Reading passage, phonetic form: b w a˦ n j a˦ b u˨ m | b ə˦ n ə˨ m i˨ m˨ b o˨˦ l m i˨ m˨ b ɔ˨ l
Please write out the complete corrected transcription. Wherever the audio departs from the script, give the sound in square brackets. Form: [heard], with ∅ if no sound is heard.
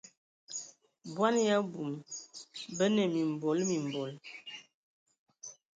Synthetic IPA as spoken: b w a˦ n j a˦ b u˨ m | b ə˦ n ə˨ m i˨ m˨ b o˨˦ l m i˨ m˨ b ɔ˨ l

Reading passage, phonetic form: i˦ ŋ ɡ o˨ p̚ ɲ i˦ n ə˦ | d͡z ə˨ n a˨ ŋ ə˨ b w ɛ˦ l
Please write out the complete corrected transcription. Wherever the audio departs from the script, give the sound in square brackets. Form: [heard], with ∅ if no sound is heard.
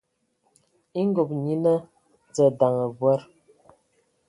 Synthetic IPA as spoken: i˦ ŋ ɡ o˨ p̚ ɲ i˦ n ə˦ | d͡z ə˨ [d] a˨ ŋ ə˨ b w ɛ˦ [ɾ]

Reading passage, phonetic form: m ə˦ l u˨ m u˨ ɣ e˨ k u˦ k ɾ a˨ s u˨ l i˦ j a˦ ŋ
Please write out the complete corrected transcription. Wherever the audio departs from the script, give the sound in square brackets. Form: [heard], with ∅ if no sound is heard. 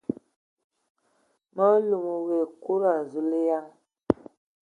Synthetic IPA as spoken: m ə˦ l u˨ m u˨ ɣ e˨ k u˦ [∅] ɾ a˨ [z] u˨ l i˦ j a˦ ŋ

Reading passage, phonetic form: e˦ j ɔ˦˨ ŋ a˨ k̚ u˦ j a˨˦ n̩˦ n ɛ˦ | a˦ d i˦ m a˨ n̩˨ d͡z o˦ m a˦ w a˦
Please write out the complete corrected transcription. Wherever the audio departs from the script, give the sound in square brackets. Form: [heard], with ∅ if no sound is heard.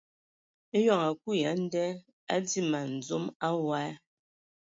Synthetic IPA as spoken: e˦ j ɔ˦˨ ŋ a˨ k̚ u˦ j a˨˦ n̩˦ [d] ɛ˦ | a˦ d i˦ m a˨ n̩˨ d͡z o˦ m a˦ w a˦

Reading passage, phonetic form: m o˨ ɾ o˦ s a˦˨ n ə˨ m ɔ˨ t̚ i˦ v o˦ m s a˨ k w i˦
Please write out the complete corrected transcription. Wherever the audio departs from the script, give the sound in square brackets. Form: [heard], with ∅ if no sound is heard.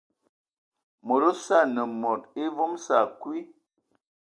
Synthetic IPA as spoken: m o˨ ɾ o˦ s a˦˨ n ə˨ m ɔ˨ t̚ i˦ v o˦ m s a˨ k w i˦

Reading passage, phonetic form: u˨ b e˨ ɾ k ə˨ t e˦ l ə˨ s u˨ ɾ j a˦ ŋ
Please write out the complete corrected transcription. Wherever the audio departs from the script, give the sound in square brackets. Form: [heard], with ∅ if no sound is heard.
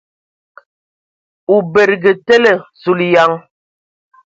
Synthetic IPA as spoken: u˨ b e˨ ɾ [ɡ] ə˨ t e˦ l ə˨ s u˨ [l] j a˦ ŋ

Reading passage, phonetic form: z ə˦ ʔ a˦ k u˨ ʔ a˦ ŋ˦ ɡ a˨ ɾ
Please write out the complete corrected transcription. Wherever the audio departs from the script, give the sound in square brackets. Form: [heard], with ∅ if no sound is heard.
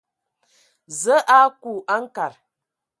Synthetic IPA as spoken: z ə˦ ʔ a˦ k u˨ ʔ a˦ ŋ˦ [k] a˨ ɾ

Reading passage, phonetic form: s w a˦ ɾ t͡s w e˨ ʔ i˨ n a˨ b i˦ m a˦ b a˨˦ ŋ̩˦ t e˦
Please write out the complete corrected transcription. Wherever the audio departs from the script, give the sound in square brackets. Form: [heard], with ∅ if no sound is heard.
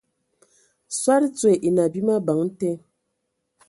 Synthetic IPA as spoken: s w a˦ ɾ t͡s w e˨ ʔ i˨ n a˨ b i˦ m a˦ b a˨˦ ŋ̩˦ t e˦

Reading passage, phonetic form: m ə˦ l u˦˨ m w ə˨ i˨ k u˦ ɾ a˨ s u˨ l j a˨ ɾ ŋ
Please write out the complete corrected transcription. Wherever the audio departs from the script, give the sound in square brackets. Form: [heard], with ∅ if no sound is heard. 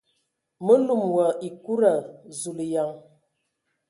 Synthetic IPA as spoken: m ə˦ l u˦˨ m w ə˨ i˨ k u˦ ɾ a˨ [z] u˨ l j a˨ [∅] ŋ

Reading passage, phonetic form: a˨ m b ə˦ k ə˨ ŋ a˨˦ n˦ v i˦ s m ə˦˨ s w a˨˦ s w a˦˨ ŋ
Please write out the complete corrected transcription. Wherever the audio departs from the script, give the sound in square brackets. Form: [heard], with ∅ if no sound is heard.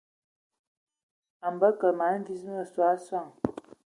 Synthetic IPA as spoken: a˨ m b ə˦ k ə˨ [m] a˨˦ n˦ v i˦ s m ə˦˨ s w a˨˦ s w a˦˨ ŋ

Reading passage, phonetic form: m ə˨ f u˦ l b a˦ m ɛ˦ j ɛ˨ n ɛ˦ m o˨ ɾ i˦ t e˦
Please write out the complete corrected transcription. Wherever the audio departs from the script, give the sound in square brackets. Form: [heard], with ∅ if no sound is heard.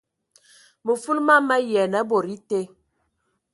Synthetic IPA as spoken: m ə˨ f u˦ l [m] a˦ m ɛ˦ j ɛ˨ n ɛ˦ [b] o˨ ɾ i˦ t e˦

